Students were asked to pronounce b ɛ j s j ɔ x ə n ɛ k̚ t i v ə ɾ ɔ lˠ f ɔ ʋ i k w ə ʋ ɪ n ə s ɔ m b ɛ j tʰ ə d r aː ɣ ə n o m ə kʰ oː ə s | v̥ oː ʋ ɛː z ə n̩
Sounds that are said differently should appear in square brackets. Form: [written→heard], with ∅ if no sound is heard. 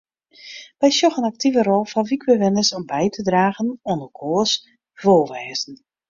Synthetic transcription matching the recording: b ɛ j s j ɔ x ə n [ɛ→a] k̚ t i v ə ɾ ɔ lˠ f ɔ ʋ i k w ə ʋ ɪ n ə s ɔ m b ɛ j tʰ ə d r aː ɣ ə n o [m→n] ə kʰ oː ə s | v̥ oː ʋ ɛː z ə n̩